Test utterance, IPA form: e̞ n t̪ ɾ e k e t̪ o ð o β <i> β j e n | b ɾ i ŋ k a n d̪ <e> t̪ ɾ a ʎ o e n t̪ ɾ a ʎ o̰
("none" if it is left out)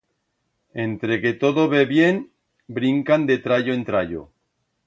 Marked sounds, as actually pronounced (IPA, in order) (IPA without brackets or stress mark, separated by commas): e, e